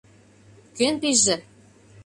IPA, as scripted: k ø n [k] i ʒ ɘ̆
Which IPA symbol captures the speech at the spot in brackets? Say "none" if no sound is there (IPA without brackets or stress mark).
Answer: p